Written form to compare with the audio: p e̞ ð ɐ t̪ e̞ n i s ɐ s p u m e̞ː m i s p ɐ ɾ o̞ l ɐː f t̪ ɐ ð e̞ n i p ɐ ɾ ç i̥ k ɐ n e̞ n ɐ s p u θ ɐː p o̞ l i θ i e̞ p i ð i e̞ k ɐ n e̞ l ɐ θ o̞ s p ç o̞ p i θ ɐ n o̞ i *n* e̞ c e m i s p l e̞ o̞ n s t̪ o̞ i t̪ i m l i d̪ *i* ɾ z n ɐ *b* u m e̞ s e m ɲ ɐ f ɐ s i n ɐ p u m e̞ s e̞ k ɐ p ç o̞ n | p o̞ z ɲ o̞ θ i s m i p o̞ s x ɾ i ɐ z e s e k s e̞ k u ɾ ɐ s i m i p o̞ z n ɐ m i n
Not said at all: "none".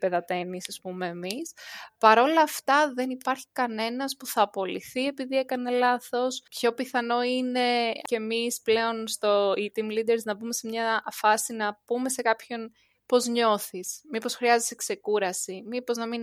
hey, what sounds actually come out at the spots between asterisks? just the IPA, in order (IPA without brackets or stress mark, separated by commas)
n, e, b